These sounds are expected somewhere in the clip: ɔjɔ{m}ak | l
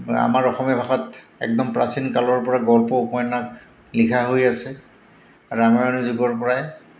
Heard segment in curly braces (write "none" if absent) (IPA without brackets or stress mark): n